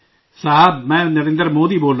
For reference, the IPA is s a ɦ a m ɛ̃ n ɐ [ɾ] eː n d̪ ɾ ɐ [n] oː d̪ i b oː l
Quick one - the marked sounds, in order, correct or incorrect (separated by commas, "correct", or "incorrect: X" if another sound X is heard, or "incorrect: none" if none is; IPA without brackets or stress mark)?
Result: correct, incorrect: m